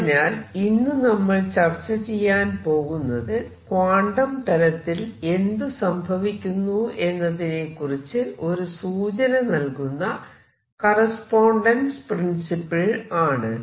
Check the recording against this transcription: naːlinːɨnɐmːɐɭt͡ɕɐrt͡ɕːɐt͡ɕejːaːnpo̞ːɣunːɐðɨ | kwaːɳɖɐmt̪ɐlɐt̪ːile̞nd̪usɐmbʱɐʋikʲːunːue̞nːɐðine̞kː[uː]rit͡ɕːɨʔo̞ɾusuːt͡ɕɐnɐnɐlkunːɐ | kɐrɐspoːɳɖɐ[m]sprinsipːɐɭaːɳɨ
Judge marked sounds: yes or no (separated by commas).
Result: no, no